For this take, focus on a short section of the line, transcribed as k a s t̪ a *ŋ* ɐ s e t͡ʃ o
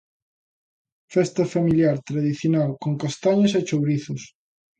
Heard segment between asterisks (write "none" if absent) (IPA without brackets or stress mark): ɲ